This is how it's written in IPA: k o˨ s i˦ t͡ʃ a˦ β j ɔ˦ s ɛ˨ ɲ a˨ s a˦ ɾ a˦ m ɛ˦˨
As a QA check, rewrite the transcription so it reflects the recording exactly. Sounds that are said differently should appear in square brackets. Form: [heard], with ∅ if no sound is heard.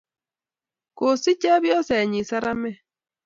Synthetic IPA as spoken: k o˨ s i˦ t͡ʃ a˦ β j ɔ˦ s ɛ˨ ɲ [i˨] s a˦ ɾ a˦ m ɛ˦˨